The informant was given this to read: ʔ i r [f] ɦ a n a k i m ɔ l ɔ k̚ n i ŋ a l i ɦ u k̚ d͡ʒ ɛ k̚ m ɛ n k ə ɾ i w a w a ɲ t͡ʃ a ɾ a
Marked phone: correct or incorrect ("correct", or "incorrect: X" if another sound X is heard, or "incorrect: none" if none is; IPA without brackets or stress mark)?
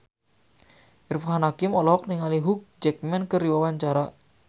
correct